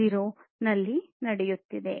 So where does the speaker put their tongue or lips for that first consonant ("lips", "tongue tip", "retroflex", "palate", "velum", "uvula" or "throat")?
tongue tip